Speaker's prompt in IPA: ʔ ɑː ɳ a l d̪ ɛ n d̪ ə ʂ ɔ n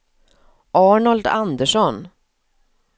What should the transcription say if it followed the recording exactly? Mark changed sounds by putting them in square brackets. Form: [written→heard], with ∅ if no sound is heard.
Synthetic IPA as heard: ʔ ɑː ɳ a l d̪ [ɛ→a] n d̪ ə ʂ ɔ n